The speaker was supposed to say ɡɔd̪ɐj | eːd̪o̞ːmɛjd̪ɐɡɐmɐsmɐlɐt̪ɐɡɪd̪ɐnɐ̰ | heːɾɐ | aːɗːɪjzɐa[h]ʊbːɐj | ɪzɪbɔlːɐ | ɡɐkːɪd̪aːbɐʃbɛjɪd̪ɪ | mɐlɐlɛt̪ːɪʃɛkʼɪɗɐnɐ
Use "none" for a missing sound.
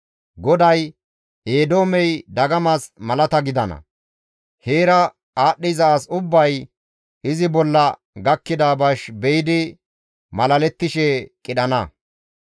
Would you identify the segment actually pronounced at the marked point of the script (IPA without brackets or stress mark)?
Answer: s